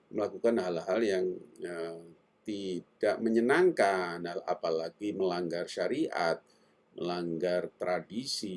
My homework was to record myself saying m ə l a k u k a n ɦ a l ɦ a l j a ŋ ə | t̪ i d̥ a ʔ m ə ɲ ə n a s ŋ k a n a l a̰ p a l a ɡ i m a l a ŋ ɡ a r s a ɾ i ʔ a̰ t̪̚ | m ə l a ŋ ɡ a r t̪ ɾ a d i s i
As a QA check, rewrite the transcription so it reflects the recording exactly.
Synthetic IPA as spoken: m ə l a k u k a n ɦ a l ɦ a l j a ŋ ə | t̪ i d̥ a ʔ m ə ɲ ə n a ŋ k a n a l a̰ p a l a ɡ i m ə l a ŋ ɡ a r ʃ a ɾ i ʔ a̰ t̪̚ | m ə l a ŋ ɡ a r t̪ ɾ a d i s i